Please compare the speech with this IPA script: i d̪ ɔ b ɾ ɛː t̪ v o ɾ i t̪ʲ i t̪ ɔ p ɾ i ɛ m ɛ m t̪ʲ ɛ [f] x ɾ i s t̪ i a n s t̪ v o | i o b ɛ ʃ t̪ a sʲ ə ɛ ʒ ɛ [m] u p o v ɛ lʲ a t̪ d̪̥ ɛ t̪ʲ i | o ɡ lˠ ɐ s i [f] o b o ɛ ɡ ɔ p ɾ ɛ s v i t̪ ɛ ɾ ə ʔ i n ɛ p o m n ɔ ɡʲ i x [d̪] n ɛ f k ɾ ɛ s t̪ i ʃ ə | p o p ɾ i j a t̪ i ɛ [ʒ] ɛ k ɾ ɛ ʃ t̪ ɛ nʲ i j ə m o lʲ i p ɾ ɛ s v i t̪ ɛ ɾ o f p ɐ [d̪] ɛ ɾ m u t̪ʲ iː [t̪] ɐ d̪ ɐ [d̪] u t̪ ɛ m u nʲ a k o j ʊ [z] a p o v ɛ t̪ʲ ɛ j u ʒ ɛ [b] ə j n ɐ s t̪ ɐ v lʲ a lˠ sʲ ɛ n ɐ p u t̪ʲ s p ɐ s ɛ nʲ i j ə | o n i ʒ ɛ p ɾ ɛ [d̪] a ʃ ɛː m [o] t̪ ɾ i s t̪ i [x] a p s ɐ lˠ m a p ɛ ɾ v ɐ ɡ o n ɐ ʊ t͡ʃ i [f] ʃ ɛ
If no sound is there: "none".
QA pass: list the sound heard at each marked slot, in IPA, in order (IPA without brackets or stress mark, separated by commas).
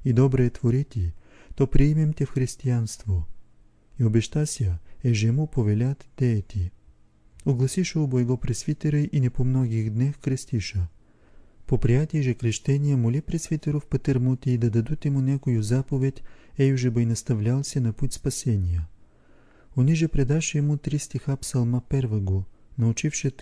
f, m, ʃ, d̪, ʒ, t̪, d̪, d̪, z, b, d̪, u, x, f